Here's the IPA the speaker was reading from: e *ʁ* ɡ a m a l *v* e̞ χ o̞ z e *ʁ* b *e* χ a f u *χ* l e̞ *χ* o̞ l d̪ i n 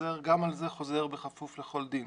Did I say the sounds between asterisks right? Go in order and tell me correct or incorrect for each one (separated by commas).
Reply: correct, incorrect, correct, correct, incorrect, correct